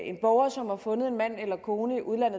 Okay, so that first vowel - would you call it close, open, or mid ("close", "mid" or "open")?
mid